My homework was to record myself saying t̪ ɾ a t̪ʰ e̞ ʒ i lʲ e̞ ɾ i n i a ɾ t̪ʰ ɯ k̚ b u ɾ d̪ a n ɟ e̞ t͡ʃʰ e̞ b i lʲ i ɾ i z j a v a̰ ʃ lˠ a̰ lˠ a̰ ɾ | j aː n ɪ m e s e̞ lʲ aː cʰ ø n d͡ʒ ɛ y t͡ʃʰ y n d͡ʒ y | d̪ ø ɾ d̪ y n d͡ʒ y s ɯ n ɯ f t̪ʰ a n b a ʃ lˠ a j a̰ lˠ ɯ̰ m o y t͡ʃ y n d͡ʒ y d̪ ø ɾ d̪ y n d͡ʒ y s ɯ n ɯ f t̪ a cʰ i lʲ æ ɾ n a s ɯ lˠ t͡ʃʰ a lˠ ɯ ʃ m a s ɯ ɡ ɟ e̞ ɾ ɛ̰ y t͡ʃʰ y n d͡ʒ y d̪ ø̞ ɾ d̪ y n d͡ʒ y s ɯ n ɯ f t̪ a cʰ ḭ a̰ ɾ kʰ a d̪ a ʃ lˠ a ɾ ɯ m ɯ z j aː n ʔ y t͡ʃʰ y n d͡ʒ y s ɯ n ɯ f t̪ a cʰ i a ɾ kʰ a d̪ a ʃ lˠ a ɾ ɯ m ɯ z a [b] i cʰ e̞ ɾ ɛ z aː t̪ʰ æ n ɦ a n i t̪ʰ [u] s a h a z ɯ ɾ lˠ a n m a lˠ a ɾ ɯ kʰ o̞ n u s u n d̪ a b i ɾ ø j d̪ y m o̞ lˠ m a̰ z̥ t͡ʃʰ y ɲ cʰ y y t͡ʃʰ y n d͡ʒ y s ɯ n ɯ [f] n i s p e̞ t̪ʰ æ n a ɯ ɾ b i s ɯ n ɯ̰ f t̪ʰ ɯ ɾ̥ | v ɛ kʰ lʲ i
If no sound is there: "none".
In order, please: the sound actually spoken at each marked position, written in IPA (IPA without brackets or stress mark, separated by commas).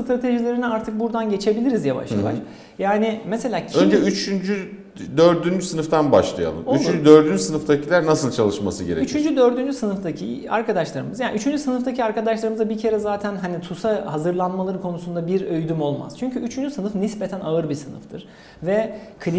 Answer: b, u, f